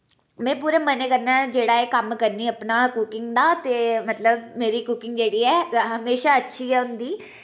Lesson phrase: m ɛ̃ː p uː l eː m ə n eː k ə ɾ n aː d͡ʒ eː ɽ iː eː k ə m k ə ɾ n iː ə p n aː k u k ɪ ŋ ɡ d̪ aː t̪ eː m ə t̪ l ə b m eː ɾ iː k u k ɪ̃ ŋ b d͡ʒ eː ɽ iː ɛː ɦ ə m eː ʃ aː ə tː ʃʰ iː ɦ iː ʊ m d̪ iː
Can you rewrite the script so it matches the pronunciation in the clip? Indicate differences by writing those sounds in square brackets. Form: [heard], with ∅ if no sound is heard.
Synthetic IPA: m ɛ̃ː p uː [ɾ] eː m ə n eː k ə ɾ n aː d͡ʒ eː ɽ [aː] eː k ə m k ə ɾ n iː ə p n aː k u k ɪ ŋ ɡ d̪ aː t̪ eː m ə t̪ l ə b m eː ɾ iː k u k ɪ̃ ŋ [ɡ] d͡ʒ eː ɽ iː ɛː ɦ ə m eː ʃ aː ə tː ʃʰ iː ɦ [ɛː] ʊ [n] d̪ iː

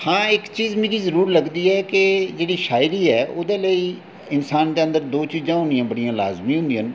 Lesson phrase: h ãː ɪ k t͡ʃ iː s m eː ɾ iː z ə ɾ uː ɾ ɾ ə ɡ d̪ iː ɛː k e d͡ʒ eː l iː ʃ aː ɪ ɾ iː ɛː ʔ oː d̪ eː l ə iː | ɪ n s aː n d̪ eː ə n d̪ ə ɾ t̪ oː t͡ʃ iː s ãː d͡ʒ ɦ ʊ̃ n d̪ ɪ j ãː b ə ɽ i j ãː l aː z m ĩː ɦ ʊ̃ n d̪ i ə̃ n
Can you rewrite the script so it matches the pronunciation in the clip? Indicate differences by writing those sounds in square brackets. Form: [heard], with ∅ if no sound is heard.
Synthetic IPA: h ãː ɪ k t͡ʃ iː [z] m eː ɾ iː z ə ɾ uː ɾ [l] ə ɡ d̪ iː ɛː k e d͡ʒ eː [ɽ] iː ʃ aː ɪ ɾ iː ɛː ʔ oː d̪ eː l ə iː | ɪ n s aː n d̪ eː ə n d̪ ə ɾ [d̪] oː t͡ʃ iː [z] ãː [∅] ɦ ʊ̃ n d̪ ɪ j ãː b ə ɽ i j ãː l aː z m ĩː ɦ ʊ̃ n d̪ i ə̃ n

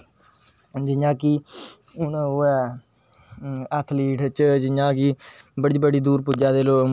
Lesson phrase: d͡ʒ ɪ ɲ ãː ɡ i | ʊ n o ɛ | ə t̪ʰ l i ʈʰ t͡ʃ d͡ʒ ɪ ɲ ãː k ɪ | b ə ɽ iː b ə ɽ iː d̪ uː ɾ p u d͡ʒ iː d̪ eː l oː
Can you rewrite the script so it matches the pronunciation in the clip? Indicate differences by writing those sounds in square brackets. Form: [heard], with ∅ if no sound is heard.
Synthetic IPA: d͡ʒ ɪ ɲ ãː [k] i | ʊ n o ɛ | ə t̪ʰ l [iː] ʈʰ t͡ʃ d͡ʒ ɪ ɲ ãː k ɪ | b ə ɽ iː b ə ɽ iː d̪ uː ɾ p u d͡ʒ [aː] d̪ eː l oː

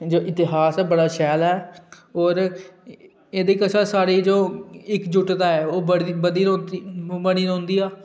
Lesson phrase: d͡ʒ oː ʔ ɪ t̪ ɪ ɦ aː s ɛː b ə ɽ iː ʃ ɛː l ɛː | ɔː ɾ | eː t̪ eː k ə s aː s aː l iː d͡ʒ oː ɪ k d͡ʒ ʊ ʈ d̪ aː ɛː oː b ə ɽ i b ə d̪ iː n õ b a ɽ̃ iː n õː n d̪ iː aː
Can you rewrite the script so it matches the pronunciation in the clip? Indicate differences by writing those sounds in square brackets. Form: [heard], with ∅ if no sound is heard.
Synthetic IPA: d͡ʒ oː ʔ ɪ t̪ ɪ ɦ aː s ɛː b ə ɽ [aː] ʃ ɛː l ɛː | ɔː ɾ | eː [d̪] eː k ə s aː s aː [ɽ] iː d͡ʒ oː ɪ k d͡ʒ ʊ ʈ d̪ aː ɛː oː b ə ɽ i b ə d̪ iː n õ b [ə] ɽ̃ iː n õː n d̪ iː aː

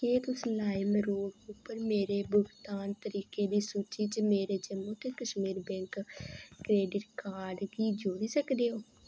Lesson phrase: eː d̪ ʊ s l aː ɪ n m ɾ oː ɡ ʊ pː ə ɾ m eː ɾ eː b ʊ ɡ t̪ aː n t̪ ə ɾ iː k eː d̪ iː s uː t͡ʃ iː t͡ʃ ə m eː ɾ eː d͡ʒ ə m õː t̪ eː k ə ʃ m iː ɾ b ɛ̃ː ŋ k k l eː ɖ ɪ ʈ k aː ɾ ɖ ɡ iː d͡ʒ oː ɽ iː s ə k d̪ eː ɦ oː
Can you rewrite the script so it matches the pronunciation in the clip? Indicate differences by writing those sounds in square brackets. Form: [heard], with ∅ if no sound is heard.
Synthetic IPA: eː [t̪] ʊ s l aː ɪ [∅] m ɾ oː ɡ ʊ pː ə ɾ m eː ɾ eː b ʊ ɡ t̪ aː n t̪ ə ɾ iː k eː d̪ iː s uː t͡ʃ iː t͡ʃ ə m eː ɾ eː d͡ʒ ə m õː t̪ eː k ə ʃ m iː ɾ b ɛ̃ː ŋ k k [ɾ] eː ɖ ɪ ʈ k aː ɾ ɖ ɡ iː d͡ʒ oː ɽ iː s ə k d̪ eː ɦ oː

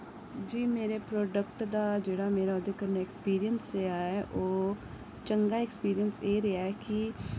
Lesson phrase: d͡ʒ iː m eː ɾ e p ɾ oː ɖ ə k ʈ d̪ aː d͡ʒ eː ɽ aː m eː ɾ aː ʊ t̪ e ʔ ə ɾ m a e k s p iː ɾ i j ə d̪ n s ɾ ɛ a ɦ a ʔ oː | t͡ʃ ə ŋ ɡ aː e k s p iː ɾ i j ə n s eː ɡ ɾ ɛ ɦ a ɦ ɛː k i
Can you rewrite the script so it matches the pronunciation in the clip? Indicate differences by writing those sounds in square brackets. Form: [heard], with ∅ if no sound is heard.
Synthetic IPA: d͡ʒ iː m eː ɾ e p ɾ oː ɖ ə k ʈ d̪ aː d͡ʒ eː ɽ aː m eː ɾ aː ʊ [d̪] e [k] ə ɾ [n] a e k s p iː ɾ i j ə [∅] n s ɾ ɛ a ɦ [ɛ] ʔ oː | t͡ʃ ə ŋ ɡ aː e k s p iː ɾ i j ə n s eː [∅] ɾ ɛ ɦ a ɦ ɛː k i

